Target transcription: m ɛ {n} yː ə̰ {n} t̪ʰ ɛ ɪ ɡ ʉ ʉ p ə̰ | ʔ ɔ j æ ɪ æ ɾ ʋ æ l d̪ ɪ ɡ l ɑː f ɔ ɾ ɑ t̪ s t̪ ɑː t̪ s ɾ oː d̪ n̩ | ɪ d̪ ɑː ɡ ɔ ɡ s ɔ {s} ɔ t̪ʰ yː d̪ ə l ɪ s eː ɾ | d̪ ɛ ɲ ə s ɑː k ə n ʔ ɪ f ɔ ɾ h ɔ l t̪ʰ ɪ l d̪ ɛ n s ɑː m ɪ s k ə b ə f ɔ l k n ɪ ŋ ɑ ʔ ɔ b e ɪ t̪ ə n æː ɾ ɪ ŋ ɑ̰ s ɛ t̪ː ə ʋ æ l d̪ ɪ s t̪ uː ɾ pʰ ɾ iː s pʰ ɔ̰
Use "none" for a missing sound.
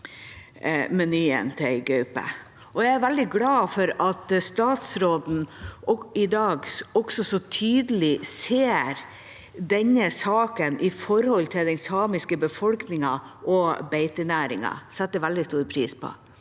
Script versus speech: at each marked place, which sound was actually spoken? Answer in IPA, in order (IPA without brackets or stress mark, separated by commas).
n, n, s